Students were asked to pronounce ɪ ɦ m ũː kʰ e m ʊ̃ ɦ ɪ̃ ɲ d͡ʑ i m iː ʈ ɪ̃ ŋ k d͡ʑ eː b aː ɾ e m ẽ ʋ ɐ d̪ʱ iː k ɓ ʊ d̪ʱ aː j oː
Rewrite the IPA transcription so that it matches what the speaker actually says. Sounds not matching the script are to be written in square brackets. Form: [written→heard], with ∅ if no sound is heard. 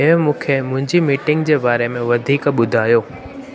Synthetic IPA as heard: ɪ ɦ m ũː kʰ e m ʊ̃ ɦ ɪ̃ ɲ d͡ʑ i m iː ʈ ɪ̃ ŋ [k→ɡ] d͡ʑ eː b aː ɾ e m ẽ ʋ ɐ d̪ʱ iː k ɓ ʊ d̪ʱ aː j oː